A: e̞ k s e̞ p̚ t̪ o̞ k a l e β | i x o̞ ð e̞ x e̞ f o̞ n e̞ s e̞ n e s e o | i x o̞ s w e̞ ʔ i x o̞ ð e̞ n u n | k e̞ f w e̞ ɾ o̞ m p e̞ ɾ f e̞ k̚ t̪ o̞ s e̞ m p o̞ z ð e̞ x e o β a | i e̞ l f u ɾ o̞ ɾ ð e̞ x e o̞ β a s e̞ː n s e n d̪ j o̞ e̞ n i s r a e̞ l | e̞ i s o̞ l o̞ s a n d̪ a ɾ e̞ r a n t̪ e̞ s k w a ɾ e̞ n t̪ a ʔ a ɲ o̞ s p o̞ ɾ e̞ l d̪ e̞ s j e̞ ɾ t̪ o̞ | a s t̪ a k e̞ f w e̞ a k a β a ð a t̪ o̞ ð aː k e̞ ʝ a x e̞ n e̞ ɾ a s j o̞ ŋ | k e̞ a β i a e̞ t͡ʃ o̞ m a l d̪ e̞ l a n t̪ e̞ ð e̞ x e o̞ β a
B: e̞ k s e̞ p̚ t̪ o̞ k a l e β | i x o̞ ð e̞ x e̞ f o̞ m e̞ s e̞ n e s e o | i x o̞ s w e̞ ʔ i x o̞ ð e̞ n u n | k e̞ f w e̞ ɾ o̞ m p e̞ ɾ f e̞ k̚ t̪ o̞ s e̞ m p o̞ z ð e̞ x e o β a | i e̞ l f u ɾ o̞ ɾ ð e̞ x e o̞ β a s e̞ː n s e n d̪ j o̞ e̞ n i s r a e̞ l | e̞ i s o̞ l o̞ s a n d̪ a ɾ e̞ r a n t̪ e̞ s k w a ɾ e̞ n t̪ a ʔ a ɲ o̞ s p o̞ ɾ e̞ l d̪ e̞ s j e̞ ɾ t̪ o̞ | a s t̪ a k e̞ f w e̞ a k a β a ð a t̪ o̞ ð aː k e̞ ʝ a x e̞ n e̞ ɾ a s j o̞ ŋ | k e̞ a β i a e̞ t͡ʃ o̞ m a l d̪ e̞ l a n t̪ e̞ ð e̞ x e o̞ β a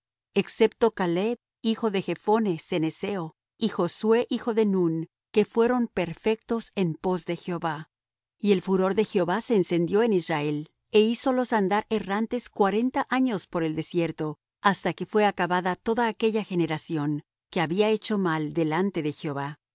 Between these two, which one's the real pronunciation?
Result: A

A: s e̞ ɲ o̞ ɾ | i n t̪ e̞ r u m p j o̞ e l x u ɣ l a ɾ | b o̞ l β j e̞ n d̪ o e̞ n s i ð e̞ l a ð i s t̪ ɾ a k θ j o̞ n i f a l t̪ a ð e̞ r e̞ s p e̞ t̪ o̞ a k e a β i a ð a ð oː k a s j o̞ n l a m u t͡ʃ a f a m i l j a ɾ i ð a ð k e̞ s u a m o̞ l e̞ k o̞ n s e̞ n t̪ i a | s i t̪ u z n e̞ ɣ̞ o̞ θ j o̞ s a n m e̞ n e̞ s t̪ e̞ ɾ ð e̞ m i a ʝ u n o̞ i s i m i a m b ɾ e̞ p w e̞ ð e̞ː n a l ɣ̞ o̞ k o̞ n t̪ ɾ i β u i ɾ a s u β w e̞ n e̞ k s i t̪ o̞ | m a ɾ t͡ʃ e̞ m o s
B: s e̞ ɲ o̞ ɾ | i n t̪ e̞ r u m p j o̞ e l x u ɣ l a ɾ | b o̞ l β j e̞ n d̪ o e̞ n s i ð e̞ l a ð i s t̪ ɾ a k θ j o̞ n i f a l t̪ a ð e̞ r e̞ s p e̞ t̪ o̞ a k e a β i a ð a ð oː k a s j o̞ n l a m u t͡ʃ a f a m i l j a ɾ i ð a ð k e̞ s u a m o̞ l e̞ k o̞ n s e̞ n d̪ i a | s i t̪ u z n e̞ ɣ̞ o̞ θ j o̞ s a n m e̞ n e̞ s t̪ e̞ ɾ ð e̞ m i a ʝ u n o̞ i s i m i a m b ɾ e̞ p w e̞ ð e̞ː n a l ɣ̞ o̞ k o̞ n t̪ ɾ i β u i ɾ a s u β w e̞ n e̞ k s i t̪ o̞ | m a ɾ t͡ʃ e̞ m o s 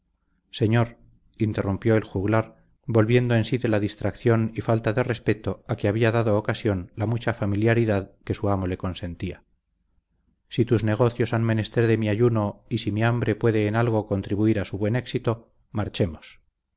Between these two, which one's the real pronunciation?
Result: A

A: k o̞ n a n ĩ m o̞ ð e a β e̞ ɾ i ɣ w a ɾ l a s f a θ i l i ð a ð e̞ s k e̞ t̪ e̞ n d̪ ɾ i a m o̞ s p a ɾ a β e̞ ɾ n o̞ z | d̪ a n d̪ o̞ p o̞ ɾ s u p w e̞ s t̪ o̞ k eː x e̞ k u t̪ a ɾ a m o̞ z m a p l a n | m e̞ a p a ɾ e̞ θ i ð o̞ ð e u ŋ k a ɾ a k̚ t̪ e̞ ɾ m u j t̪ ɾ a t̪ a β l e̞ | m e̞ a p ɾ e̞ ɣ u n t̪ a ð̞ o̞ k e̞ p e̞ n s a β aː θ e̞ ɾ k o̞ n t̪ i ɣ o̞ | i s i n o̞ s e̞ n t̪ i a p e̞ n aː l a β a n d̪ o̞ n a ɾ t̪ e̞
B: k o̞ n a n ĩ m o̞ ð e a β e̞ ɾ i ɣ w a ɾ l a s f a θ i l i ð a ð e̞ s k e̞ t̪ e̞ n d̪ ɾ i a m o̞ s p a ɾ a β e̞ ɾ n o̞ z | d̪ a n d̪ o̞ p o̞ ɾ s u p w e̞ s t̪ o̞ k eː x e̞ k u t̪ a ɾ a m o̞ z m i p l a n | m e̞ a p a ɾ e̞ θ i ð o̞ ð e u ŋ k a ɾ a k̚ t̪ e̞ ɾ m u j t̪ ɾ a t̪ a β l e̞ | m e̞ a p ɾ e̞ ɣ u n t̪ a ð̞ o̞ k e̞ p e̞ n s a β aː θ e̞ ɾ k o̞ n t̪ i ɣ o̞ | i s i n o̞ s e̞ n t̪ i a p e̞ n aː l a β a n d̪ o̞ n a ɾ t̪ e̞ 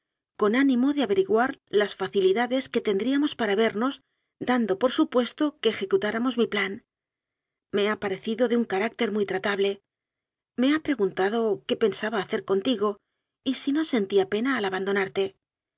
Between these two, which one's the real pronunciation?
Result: B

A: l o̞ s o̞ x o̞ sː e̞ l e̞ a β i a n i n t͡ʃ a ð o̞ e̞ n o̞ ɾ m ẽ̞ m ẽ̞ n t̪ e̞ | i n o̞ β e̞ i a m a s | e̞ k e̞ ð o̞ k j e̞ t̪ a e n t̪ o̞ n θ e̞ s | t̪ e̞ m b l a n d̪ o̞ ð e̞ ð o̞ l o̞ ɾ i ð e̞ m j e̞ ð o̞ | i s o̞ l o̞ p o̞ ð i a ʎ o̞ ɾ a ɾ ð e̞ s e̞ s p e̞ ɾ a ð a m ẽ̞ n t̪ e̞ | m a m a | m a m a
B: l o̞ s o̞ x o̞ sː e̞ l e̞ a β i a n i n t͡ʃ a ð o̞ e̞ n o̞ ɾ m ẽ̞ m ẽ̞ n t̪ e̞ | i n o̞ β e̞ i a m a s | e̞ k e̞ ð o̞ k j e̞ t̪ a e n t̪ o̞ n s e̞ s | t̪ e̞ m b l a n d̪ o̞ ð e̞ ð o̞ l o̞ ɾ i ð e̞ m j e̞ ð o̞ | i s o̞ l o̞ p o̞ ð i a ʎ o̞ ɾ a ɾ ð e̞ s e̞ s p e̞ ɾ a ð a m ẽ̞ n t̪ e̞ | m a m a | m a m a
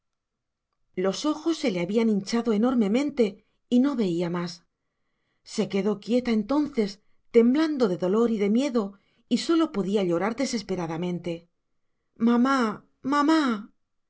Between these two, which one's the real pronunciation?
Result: A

